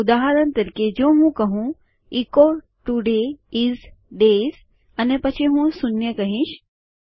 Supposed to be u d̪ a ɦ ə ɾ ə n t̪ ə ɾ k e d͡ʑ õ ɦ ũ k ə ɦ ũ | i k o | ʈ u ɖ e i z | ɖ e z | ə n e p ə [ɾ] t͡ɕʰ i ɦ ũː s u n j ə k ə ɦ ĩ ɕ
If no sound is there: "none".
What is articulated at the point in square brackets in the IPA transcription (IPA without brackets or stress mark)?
none